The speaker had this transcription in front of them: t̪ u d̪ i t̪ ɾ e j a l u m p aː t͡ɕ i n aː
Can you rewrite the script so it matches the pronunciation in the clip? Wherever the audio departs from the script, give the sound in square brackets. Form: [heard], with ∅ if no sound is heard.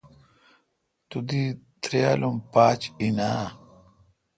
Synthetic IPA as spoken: t̪ u d̪ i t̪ ɾ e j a l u m p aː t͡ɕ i n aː